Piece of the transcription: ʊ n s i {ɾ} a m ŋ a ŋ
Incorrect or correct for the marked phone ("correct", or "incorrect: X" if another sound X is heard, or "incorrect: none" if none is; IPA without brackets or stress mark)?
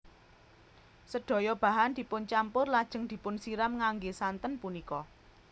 correct